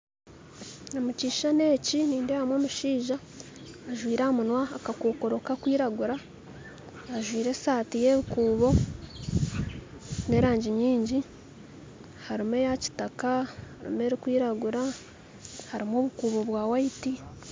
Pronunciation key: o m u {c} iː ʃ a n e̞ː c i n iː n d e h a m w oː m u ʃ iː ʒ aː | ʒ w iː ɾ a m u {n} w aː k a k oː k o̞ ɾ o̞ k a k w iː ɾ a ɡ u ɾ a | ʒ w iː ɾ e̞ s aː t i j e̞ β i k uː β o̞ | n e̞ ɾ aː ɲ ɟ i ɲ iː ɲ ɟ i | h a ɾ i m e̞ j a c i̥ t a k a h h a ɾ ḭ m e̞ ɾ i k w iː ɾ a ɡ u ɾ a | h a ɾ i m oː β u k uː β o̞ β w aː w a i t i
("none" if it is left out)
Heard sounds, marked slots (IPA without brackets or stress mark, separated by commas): c, n